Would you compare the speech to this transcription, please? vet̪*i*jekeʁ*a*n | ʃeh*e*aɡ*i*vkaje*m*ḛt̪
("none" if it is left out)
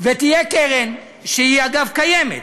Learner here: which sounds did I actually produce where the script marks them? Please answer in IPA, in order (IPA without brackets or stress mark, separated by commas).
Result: i, e, i, a, m